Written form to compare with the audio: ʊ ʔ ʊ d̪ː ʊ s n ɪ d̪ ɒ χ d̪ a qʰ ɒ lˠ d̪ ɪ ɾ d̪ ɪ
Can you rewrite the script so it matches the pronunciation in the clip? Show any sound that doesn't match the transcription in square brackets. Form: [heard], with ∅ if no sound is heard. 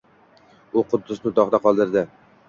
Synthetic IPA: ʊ [q] ʊ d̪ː ʊ s n ɪ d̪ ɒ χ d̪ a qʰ ɒ lˠ d̪ ɪ ɾ d̪ ɪ